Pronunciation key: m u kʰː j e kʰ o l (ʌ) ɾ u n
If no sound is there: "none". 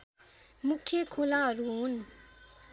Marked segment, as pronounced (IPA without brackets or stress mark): a